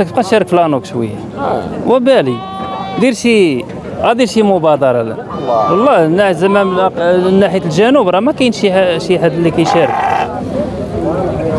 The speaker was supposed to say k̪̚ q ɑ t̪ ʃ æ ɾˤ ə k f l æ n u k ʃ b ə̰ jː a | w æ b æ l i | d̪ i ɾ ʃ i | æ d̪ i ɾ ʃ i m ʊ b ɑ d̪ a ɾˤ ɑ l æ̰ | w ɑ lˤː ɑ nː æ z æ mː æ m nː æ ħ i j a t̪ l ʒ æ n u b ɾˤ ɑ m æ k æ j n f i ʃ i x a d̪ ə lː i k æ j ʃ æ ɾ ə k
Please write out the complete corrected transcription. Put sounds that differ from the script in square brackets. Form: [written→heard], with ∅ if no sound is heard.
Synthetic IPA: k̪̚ q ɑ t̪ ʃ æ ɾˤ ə k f l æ n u k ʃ [b→w] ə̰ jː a | w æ b æ l i | d̪ i ɾ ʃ i | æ d̪ i ɾ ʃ i m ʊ b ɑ d̪ [a→ɑ] ɾˤ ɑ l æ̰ | w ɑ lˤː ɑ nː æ z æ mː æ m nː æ ħ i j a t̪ l ʒ æ n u b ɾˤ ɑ m æ k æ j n [f→ʃ] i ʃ i [x→ħ] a d̪ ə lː i k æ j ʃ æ ɾ ə k